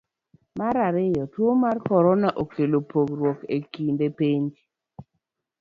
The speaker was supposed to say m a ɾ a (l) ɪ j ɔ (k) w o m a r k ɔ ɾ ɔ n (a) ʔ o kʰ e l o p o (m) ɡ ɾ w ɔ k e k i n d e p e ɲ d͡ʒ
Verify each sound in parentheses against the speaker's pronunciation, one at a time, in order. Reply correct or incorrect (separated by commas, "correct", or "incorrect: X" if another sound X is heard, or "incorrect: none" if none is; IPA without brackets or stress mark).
incorrect: ɾ, incorrect: t, correct, incorrect: none